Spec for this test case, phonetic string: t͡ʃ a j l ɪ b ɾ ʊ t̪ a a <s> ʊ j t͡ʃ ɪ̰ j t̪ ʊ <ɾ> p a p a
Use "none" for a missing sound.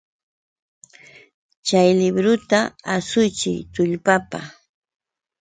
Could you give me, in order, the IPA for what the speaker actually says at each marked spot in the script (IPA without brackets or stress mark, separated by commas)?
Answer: s, ʎ